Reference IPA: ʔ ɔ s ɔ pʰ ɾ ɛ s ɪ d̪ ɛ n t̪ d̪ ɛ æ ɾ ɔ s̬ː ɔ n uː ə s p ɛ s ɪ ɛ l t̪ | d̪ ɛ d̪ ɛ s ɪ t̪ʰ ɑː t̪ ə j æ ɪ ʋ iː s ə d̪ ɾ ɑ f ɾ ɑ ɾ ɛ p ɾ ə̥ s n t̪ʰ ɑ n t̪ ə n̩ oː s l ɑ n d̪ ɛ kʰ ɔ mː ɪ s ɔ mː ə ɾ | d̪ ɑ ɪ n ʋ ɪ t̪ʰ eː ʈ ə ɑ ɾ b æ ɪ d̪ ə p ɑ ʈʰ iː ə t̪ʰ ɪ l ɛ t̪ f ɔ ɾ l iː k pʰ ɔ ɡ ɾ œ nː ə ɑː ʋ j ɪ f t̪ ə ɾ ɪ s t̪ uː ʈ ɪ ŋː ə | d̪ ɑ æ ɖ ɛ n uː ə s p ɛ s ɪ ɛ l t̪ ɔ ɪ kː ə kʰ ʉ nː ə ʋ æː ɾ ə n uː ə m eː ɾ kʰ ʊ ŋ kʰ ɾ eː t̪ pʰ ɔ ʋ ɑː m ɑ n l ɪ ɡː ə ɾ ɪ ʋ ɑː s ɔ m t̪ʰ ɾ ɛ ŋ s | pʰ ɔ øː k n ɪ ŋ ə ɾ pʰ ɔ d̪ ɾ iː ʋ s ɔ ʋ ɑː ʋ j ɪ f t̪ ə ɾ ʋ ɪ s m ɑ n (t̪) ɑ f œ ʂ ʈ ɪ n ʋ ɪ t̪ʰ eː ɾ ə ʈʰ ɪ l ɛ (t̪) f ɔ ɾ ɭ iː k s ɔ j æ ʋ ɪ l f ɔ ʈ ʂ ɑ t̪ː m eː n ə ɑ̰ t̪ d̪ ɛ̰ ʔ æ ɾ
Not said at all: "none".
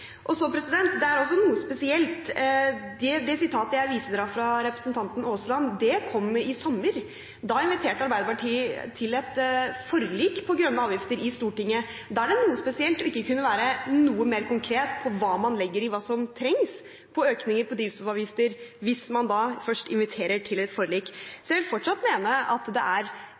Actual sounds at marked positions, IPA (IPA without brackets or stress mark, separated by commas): d̪, t̪